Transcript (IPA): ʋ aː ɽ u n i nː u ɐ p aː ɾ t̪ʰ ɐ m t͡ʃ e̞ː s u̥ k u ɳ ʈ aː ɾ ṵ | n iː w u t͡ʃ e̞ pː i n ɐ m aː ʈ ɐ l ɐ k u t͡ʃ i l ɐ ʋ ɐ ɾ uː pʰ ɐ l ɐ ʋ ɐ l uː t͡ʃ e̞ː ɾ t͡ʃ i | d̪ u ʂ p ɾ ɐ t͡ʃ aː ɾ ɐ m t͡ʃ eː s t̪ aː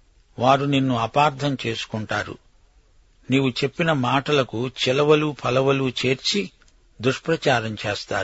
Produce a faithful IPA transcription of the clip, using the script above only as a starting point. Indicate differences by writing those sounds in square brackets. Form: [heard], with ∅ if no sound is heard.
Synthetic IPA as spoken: ʋ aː [ɾ] u n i nː u ɐ p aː ɾ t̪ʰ ɐ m t͡ʃ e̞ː s u̥ k u ɳ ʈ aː ɾ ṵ | n iː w u t͡ʃ e̞ pː i n ɐ m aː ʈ ɐ l ɐ k u t͡ʃ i l ɐ ʋ ɐ [l] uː pʰ ɐ l ɐ ʋ ɐ l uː t͡ʃ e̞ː ɾ t͡ʃ i | d̪ u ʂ p ɾ ɐ t͡ʃ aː ɾ ɐ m t͡ʃ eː s t̪ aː